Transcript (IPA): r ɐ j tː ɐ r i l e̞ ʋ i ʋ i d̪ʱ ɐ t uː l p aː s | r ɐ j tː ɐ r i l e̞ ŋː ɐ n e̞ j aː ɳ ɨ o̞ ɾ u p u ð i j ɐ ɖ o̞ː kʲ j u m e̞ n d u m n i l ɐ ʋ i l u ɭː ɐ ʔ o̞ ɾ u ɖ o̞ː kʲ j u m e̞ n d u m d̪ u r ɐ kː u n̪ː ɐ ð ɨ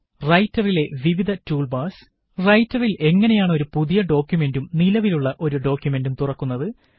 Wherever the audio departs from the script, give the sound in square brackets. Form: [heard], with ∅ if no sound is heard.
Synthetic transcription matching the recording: r ɐ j tː ɐ r i l e̞ ʋ i ʋ i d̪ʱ ɐ t uː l [b] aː s | r ɐ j tː ɐ r i l e̞ ŋː ɐ n e̞ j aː ɳ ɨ o̞ ɾ u p u ð i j ɐ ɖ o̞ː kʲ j u m e̞ n d u m n i l ɐ ʋ i l u ɭː ɐ ʔ o̞ ɾ u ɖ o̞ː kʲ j u m e̞ n d u m [t̪] u r ɐ kː u n̪ː ɐ ð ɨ